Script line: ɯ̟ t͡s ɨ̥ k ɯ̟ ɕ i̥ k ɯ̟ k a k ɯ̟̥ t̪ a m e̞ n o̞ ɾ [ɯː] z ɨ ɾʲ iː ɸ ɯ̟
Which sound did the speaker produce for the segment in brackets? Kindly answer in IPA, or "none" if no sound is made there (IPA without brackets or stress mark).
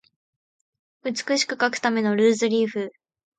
ɯː